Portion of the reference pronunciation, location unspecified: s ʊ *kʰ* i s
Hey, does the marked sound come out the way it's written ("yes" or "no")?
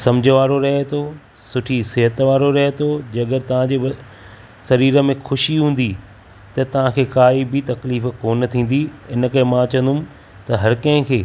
no